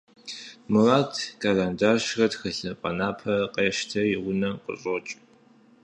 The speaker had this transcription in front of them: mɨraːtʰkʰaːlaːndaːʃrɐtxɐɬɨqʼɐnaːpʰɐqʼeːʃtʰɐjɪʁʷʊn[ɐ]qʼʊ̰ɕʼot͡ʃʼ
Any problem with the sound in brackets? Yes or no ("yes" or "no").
no